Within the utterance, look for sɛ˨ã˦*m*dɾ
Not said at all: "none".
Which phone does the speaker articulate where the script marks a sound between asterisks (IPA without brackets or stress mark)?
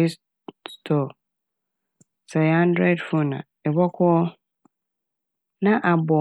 n